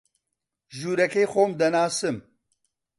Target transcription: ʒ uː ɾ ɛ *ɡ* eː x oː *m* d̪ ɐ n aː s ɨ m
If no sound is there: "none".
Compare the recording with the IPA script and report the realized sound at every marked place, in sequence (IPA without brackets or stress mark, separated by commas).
k, m